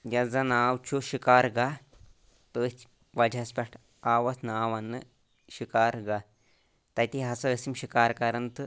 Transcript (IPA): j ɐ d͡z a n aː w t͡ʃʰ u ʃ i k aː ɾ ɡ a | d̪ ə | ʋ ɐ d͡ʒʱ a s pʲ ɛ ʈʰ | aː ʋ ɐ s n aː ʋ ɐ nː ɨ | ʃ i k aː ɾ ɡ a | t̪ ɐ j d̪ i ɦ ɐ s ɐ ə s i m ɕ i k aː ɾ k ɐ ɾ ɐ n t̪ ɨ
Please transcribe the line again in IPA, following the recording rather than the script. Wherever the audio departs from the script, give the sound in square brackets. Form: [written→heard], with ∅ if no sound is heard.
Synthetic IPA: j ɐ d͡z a n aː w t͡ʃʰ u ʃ i k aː ɾ ɡ a | [d̪→t̪] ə | ʋ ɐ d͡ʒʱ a s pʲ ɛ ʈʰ | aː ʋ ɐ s n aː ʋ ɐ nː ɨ | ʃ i k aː ɾ ɡ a | t̪ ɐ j [d̪→t̪] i ɦ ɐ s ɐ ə s i m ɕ i k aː ɾ k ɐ ɾ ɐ n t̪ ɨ